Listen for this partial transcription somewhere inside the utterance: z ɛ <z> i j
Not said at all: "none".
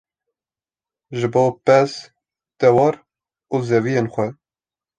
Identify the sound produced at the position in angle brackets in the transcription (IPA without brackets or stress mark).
v